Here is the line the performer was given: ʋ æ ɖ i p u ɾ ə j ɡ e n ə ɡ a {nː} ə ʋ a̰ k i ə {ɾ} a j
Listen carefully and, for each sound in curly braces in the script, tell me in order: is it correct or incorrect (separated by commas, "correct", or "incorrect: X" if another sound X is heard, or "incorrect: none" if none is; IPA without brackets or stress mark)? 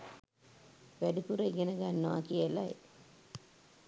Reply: correct, incorrect: l